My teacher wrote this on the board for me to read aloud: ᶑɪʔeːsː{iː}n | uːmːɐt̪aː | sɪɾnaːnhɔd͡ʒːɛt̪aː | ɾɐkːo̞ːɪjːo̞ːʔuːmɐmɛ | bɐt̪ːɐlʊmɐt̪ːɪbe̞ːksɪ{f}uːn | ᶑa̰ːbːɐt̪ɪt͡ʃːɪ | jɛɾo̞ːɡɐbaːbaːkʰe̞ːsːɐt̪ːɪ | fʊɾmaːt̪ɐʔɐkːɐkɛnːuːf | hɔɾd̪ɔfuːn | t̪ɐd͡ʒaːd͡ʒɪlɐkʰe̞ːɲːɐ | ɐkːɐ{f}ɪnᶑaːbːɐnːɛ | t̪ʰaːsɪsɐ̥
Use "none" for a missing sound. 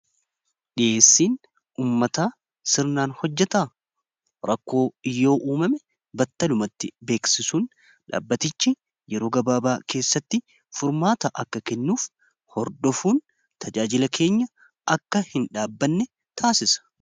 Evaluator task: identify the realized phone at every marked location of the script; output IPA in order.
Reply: iː, s, h

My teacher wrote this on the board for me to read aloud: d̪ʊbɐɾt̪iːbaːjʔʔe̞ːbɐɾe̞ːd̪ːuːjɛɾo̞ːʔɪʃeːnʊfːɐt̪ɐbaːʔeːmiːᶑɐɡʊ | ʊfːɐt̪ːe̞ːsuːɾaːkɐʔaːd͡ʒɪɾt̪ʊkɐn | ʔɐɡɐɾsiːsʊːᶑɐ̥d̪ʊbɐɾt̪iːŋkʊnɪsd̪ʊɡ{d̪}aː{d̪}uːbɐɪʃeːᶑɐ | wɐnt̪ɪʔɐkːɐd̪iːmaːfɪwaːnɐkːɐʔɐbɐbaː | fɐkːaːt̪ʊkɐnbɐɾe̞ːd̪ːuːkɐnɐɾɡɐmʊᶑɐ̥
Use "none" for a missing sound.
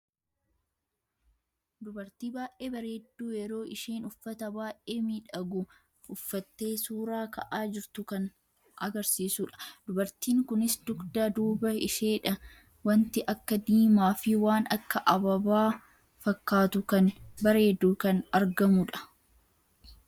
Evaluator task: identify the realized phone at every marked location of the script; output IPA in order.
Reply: d̪, d̪

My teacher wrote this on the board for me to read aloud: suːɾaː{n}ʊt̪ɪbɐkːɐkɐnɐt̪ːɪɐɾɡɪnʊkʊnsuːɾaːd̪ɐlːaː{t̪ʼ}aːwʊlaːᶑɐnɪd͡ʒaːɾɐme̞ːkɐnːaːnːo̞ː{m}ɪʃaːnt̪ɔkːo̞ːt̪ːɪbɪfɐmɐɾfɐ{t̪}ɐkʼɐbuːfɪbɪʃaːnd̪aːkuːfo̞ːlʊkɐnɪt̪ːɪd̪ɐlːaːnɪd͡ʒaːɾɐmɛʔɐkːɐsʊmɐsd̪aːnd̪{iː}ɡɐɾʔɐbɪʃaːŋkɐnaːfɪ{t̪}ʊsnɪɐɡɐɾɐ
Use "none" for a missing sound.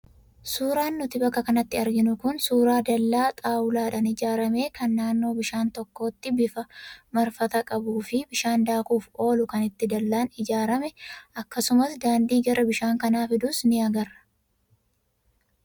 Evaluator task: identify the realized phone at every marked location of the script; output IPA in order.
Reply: nː, t̪ʼ, b, t̪, iː, d̪

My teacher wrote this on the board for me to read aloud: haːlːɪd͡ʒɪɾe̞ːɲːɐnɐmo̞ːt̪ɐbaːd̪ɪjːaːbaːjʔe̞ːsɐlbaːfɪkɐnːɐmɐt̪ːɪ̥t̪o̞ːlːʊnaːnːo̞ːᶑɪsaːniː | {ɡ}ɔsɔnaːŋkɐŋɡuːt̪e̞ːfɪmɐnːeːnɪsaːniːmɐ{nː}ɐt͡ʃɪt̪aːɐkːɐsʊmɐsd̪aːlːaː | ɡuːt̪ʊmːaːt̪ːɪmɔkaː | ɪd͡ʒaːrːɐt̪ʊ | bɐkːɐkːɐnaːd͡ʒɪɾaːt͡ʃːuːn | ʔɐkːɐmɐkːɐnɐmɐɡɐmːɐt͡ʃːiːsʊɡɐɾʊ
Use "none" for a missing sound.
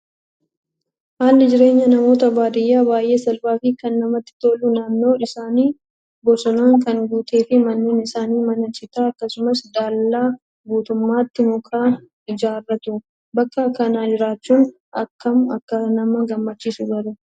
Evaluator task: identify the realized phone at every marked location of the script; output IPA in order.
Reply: b, n

